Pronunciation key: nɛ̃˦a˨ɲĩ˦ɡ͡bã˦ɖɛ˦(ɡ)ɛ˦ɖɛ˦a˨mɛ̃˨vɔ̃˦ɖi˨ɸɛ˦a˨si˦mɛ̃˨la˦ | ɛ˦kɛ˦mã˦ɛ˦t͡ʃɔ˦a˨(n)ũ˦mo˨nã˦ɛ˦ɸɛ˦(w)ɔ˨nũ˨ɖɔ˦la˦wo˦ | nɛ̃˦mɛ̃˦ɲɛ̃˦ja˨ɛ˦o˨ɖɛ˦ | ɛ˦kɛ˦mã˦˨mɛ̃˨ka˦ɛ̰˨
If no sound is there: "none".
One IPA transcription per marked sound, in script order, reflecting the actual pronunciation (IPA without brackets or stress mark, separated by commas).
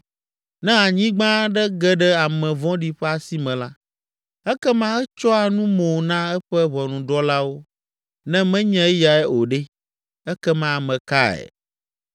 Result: ɡ, n, β